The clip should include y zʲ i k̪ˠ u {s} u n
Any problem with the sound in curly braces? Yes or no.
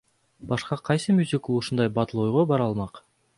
yes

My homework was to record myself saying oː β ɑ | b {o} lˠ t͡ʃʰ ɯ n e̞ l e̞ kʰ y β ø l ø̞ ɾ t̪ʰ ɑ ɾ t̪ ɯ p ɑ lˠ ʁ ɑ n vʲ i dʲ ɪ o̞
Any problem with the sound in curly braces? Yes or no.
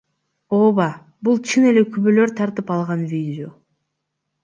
yes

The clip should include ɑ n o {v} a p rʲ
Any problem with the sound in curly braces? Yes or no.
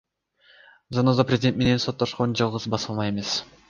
yes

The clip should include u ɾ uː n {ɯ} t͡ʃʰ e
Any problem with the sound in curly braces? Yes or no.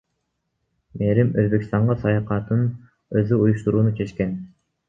yes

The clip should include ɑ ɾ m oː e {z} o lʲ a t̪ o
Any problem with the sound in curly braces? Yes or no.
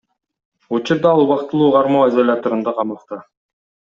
no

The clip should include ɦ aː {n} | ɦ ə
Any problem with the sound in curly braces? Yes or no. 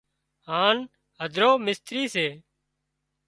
no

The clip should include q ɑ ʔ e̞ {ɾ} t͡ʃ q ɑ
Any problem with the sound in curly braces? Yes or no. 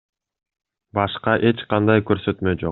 yes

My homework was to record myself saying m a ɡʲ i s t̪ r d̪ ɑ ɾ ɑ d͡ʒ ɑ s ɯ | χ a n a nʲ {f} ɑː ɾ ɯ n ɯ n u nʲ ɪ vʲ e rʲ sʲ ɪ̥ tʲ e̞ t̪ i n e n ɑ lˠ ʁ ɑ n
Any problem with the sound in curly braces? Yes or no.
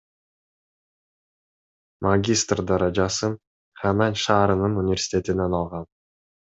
yes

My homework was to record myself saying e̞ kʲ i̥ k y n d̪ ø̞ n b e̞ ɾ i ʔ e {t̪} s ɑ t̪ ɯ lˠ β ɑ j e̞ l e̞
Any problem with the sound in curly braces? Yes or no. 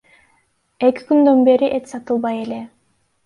no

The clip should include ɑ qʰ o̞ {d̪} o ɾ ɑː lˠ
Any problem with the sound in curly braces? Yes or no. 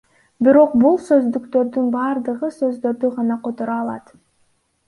yes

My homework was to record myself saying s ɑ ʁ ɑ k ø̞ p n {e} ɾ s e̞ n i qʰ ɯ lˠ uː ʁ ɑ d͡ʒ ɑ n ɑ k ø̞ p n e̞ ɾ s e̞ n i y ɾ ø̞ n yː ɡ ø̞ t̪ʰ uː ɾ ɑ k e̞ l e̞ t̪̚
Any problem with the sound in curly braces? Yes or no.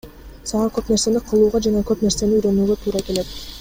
no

